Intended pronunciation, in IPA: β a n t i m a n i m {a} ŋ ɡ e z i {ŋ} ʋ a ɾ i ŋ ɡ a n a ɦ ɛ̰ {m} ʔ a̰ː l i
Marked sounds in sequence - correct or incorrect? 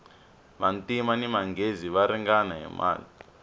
correct, incorrect: none, correct

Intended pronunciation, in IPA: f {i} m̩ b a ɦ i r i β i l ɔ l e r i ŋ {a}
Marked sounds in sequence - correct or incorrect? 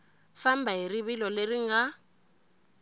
incorrect: a, correct

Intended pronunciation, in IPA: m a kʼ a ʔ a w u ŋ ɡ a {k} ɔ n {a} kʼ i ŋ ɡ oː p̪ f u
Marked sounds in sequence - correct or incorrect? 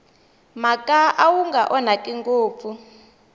incorrect: ʔ, correct

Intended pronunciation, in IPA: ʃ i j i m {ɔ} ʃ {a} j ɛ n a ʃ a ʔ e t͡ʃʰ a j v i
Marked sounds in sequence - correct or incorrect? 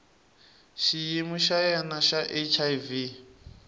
incorrect: u, correct

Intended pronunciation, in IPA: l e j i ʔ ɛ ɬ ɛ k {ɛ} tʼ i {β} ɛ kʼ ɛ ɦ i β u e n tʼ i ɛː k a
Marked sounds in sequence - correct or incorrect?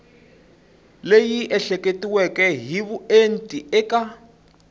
incorrect: e, incorrect: w

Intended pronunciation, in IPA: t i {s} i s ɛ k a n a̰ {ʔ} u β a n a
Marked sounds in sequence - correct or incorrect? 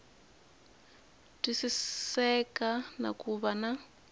correct, incorrect: k

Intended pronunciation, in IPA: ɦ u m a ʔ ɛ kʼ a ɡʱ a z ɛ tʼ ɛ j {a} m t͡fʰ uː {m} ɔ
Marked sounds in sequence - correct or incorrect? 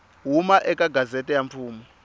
correct, correct

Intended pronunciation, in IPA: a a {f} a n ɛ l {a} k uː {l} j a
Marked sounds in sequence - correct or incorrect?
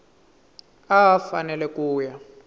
correct, incorrect: ɛ, incorrect: none

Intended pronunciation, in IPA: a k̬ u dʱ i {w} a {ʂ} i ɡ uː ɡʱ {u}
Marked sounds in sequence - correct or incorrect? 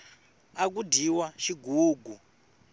correct, incorrect: ʃ, correct

